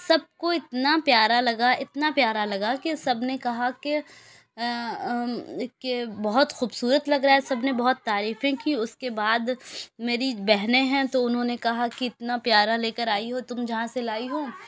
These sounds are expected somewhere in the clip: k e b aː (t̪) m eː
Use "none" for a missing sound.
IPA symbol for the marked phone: d̪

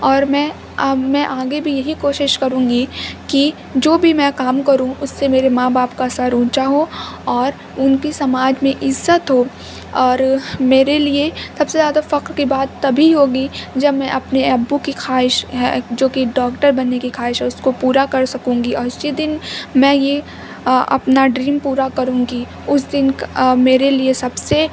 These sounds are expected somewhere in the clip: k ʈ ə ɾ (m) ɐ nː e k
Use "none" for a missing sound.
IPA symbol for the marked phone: b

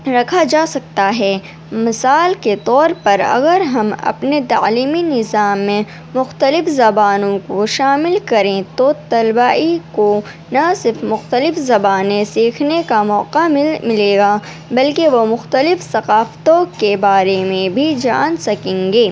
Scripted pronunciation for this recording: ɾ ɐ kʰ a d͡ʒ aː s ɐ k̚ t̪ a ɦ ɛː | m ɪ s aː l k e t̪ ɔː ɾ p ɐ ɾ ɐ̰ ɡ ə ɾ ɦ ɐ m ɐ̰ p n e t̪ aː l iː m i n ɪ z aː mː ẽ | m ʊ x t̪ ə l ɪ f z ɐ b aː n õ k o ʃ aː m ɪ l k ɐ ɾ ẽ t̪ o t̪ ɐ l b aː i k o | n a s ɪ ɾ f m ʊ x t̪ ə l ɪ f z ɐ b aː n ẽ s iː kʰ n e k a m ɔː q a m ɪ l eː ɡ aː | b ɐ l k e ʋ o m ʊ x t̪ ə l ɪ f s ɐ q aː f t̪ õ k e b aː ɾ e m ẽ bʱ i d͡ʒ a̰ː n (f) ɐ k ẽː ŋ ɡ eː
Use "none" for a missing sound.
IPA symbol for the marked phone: s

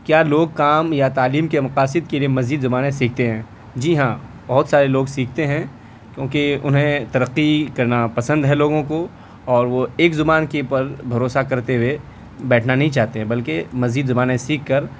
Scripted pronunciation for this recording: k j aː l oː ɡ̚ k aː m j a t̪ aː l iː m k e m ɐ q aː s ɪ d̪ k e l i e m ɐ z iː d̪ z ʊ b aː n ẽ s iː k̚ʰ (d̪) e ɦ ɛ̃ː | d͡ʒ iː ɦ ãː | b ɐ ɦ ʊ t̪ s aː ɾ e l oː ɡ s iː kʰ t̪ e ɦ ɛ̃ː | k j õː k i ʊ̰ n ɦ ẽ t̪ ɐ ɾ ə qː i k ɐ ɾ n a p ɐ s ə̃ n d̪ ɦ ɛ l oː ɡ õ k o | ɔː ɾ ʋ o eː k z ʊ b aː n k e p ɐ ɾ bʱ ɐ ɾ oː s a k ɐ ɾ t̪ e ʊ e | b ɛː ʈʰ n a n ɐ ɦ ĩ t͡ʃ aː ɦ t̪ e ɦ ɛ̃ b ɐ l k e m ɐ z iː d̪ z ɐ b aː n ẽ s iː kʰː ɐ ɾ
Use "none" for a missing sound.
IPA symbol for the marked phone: t̪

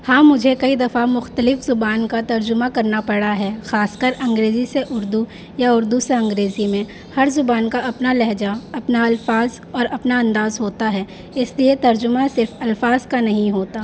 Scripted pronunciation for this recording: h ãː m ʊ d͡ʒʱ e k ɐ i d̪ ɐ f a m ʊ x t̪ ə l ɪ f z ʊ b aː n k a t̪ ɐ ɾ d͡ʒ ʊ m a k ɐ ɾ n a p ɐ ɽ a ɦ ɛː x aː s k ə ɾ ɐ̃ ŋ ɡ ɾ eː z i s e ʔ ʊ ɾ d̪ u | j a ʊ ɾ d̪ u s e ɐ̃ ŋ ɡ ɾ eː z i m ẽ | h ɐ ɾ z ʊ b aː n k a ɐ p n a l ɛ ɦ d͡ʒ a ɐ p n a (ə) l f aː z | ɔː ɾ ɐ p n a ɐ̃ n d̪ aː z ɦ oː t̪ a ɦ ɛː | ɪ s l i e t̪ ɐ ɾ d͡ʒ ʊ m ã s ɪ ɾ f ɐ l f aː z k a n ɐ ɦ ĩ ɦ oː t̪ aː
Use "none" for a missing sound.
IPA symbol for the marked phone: ɐ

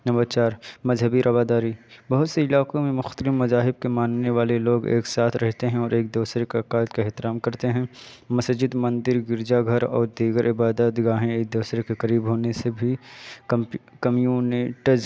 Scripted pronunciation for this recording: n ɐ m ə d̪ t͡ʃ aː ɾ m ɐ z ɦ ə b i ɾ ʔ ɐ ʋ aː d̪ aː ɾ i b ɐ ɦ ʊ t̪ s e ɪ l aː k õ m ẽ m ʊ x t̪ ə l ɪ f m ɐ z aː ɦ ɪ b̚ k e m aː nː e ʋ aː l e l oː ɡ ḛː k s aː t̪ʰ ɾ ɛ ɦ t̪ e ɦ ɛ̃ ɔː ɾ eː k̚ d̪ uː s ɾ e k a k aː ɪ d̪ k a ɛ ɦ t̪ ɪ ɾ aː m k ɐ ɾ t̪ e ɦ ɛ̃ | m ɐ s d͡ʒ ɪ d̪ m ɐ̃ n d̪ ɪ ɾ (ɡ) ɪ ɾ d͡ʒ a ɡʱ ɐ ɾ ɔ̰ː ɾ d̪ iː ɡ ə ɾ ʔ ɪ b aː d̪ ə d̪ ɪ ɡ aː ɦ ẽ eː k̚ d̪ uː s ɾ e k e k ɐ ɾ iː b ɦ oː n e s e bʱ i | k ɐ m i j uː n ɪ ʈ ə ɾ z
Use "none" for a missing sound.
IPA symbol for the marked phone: ɡ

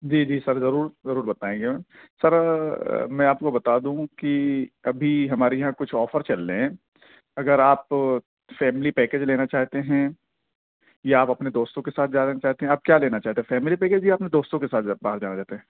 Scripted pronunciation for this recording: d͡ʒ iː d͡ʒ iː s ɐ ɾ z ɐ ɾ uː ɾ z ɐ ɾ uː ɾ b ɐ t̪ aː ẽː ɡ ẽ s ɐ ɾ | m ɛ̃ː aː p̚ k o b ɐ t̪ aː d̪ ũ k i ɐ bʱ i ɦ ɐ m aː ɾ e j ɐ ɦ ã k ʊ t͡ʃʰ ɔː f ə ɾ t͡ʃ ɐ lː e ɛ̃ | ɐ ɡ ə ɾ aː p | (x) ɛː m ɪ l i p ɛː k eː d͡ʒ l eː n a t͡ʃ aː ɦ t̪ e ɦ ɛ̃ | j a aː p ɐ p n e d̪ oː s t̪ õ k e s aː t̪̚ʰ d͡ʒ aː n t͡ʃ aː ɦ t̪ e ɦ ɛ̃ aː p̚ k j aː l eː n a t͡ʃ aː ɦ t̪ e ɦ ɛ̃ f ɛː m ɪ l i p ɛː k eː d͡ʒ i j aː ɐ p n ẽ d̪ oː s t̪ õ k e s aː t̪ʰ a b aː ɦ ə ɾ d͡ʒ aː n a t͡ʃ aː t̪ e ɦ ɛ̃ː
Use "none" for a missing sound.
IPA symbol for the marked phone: f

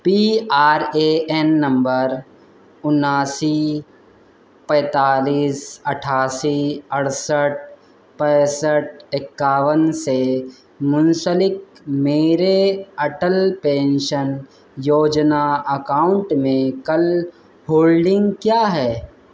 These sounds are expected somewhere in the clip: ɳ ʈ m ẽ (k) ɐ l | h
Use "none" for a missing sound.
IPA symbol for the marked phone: k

